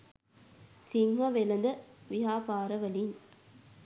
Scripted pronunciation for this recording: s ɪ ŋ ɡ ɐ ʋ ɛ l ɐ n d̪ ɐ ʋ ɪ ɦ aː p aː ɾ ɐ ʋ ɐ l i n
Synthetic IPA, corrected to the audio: s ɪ ŋ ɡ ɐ ʋ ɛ l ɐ n d̪ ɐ ʋ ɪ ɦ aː p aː ɾ ɐ ʋ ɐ l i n